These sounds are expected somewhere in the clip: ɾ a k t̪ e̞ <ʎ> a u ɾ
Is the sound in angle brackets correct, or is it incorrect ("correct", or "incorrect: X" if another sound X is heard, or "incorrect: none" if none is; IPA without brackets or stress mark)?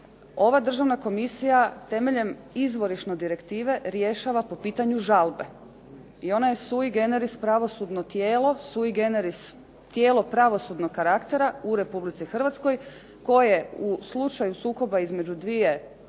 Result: incorrect: ɾ